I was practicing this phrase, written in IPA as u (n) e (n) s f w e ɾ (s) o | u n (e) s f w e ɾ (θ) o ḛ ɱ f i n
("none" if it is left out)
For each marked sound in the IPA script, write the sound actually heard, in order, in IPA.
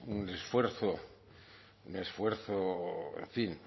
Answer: n, none, θ, e, θ

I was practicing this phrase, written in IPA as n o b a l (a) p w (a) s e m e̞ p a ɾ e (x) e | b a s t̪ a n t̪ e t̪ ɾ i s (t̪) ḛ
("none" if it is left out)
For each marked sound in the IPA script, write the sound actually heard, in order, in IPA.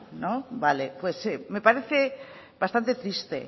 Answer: e, e, θ, t̪

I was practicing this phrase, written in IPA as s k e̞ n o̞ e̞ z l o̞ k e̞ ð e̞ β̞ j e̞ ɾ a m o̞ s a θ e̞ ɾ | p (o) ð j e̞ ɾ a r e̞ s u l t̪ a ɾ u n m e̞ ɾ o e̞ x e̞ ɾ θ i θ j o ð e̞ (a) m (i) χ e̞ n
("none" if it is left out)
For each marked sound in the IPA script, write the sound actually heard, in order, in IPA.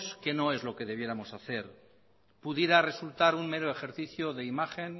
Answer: u, i, a

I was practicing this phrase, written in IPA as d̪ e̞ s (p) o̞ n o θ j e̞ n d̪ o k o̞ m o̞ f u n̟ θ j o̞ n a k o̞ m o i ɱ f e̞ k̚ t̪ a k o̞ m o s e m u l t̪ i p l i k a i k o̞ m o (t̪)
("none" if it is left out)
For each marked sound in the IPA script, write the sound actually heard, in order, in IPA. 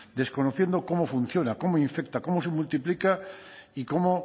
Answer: k, none

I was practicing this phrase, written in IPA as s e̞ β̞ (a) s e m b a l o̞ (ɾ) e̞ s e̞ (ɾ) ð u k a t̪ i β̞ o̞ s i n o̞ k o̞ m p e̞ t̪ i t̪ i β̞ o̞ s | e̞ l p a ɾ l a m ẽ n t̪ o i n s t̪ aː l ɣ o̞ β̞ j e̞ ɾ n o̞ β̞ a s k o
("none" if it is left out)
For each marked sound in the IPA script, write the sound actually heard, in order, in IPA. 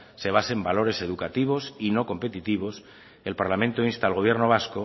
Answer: a, ɾ, none

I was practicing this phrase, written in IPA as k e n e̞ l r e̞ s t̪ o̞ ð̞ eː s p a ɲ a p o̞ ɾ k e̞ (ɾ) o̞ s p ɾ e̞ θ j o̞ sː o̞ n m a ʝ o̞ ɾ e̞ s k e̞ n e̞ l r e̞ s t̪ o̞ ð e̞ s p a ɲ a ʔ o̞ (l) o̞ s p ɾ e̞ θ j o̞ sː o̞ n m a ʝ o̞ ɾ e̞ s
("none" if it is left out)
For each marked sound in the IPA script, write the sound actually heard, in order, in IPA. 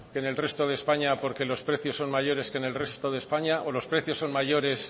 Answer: l, l

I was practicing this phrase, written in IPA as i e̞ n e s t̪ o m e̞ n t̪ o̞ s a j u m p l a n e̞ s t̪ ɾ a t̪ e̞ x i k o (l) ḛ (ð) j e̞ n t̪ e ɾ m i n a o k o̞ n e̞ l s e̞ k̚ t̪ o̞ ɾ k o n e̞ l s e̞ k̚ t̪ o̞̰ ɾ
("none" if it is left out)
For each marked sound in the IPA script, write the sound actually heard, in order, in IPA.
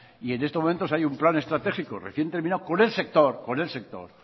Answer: r, θ

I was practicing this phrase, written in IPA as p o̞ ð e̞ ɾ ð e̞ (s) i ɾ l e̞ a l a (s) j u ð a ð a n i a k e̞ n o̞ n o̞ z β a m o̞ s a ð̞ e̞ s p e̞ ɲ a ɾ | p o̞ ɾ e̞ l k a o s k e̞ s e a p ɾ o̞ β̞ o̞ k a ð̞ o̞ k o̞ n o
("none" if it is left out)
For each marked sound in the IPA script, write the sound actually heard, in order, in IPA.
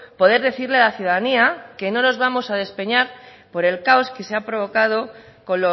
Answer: θ, θ

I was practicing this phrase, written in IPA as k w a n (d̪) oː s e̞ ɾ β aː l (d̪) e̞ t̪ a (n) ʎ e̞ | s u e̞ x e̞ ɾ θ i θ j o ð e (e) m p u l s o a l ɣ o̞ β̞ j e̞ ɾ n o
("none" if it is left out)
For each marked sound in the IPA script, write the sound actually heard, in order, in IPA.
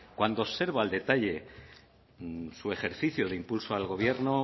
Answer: d̪, d̪, none, i

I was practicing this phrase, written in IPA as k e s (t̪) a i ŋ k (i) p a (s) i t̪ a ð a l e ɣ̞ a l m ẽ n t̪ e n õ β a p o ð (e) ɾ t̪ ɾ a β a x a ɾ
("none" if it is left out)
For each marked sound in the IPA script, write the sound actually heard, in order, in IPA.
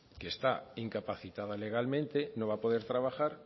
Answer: t̪, a, θ, e

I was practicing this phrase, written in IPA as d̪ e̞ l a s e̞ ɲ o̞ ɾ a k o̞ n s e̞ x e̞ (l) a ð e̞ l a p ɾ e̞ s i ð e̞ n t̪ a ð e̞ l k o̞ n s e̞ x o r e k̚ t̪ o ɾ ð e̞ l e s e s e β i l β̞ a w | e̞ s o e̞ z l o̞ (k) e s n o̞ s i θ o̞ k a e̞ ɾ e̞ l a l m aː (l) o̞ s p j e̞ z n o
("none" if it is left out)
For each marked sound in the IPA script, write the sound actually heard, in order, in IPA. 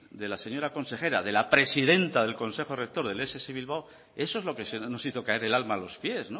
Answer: ɾ, k, l

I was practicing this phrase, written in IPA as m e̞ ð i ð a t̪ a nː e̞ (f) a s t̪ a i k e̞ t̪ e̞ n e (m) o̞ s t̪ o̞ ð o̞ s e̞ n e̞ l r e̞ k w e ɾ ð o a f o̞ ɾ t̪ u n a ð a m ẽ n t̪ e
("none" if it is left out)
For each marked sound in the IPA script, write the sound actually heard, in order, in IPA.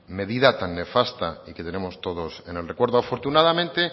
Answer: f, m

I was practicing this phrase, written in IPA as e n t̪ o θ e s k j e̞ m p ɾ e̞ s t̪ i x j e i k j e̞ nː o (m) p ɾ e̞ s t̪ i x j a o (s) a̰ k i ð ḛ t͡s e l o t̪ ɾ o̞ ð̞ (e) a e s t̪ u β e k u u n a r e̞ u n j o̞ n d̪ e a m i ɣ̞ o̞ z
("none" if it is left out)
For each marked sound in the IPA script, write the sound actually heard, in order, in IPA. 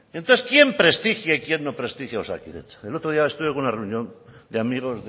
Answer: none, s, i

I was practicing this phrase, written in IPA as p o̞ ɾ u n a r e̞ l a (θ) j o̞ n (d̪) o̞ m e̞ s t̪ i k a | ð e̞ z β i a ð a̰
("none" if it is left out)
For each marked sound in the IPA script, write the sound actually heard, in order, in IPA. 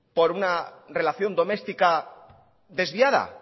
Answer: θ, d̪

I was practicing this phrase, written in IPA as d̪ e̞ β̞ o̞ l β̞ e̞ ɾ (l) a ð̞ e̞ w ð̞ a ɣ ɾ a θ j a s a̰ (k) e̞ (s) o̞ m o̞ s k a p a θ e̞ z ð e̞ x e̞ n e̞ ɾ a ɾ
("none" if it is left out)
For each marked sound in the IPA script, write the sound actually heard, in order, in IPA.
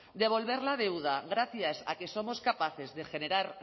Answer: l, k, s

